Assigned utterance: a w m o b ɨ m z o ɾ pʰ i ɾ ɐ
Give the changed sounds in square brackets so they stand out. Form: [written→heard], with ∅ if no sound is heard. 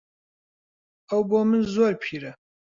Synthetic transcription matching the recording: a w [m→b] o [b→m] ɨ [m→n] z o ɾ pʰ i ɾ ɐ